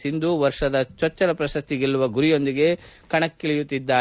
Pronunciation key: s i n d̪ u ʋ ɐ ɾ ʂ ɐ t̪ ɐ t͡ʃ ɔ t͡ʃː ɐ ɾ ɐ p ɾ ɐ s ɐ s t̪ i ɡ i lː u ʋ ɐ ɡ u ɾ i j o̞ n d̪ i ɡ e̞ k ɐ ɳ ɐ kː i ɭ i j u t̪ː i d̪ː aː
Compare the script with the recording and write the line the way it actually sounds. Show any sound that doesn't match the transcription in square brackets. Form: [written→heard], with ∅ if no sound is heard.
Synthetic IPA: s i n d̪ u ʋ ɐ ɾ ʂ ɐ [t̪→d̪] ɐ t͡ʃ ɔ t͡ʃː ɐ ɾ ɐ p ɾ ɐ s ɐ s t̪ i ɡ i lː u ʋ ɐ ɡ u ɾ i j o̞ n d̪ i ɡ e̞ k ɐ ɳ ɐ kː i ɭ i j u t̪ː i d̪ː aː